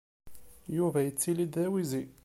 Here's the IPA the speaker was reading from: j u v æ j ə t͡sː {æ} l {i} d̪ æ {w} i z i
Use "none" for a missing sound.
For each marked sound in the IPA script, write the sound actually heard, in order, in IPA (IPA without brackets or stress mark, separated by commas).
i, i, w